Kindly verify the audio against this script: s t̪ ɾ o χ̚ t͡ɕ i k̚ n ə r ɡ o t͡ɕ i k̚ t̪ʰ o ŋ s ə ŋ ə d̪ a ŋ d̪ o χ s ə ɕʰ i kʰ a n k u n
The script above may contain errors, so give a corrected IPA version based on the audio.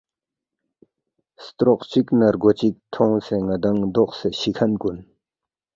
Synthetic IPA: s t̪ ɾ o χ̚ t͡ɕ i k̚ n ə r ɡ o t͡ɕ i k̚ t̪ʰ o ŋ s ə ŋ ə d̪ a ŋ d̪ o χ s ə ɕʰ i kʰ a n k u n

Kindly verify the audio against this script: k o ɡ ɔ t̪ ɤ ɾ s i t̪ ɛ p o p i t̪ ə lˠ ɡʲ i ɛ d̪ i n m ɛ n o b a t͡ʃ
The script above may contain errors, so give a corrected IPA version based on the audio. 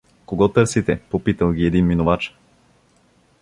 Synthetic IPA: k o ɡ ɔ t̪ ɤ ɾ s i t̪ ɛ p o p i t̪ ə lˠ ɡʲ i ɛ d̪ i n m i n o v a t͡ʃ

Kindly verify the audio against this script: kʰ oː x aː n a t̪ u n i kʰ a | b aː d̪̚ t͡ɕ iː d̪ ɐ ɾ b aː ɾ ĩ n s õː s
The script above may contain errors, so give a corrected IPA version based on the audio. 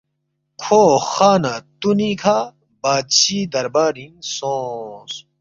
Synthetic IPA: kʰ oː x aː n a t̪ u n i kʰ a | b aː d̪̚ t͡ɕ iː d̪ ɐ ɾ b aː ɾ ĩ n s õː s

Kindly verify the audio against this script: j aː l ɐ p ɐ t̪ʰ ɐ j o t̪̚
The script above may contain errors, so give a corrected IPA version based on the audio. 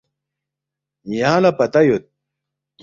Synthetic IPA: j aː l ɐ p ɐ t̪ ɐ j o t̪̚

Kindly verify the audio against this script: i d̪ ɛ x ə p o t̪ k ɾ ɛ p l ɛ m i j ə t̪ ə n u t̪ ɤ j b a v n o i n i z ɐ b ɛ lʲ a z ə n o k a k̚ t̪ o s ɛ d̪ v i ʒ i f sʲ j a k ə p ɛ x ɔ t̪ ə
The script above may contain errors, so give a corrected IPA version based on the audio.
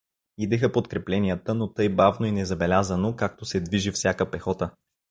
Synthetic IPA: i d̪ ɛ x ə p o t̪ k ɾ ɛ p l ɛ n i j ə t̪ ə n o t̪ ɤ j b a v n o i n ɛ z ɐ b ɛ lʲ a z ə n o k a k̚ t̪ o s ɛ d̪ v i ʒ i f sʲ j a k ə p ɛ x ɔ t̪ ə

